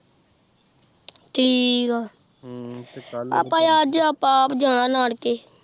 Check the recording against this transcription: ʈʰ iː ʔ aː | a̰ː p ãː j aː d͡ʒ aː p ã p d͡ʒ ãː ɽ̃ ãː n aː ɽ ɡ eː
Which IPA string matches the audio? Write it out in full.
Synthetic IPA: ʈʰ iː k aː | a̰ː p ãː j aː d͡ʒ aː p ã p d͡ʒ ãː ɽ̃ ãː n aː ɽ k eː